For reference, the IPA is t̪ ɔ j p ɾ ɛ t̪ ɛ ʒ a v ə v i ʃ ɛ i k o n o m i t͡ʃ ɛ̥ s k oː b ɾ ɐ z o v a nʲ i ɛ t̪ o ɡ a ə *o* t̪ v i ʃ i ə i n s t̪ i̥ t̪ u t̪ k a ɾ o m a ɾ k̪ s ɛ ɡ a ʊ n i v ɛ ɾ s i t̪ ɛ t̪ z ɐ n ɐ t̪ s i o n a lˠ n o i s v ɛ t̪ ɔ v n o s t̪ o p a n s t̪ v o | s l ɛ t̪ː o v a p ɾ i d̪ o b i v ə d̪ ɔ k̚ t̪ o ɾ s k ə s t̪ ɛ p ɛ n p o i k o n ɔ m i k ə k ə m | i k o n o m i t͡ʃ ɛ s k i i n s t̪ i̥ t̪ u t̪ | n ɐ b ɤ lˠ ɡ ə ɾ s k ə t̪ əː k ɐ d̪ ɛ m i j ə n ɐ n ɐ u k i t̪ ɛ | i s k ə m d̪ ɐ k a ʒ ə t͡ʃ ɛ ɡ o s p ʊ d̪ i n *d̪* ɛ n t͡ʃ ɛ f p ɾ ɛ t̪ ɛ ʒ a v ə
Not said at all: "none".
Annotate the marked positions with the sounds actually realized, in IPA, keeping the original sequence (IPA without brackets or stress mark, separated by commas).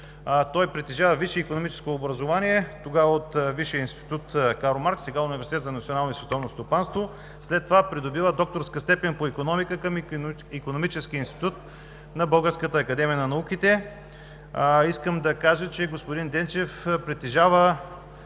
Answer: o, d̪